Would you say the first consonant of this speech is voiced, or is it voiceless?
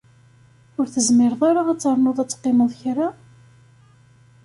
voiced